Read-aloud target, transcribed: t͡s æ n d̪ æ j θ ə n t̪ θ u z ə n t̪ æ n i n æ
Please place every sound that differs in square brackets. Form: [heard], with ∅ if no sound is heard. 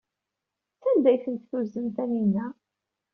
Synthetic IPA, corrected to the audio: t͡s æ n d̪ æ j θ ə n t̪ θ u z ə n t̪ æ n i n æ